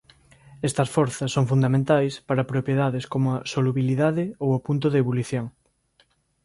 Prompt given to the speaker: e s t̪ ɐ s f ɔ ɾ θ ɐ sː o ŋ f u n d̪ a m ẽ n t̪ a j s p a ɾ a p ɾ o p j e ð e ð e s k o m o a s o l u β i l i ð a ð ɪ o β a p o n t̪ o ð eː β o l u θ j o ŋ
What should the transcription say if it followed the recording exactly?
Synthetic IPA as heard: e s t̪ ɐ s f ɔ ɾ θ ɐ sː o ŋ f u n d̪ a m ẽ n t̪ a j s p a ɾ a p ɾ o p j e ð a ð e s k o m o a s o l u β i l i ð a ð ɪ o w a p u n t̪ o ð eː β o l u θ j o ŋ